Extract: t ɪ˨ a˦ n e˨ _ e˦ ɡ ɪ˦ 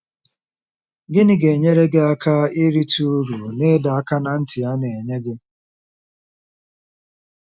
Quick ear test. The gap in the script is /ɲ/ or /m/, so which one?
ɲ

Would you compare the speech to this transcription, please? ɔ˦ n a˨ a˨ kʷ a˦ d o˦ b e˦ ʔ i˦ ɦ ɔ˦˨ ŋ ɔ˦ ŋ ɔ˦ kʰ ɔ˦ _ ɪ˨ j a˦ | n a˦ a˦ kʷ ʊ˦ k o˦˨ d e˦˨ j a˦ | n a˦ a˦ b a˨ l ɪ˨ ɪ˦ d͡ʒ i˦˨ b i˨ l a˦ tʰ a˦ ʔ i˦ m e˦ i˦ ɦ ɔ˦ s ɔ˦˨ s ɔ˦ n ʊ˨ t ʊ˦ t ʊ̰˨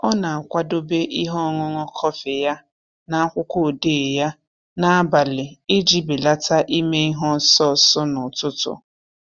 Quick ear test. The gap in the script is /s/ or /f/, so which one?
f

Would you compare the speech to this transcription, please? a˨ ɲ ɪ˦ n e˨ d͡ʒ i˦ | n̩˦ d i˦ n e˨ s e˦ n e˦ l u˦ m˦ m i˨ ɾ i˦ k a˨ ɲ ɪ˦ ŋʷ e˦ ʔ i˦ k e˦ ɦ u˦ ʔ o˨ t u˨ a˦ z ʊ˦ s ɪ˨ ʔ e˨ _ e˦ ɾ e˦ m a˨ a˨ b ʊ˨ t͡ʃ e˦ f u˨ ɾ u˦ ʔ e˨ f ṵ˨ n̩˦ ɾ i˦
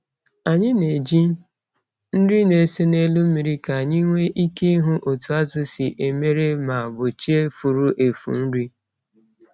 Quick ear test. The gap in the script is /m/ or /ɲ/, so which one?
m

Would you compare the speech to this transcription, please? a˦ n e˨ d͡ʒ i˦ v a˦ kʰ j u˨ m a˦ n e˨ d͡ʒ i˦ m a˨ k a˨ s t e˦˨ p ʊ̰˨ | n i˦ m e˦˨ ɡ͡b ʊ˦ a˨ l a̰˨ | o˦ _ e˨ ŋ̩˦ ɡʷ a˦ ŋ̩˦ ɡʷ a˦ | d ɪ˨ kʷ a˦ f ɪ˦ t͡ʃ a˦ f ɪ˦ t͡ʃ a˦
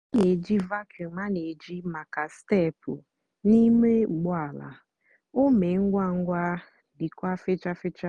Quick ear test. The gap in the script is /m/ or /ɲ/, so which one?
m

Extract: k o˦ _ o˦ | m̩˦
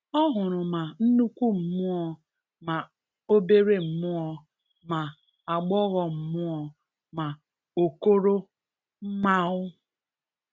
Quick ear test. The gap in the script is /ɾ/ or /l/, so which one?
ɾ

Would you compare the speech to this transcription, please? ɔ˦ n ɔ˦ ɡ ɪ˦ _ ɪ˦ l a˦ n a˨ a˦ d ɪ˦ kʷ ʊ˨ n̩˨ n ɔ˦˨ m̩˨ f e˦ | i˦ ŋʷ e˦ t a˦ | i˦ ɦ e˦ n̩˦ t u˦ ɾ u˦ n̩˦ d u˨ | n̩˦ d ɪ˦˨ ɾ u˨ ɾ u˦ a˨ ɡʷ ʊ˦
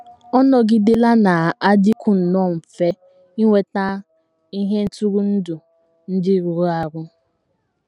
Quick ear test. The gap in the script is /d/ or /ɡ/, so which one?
d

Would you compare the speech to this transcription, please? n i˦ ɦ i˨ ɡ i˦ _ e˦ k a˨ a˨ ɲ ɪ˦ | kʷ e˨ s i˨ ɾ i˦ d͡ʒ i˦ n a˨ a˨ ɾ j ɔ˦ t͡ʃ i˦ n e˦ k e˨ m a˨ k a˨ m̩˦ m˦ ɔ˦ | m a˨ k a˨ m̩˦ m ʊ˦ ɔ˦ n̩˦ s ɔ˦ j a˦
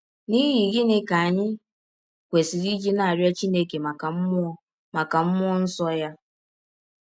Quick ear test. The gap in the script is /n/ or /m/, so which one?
n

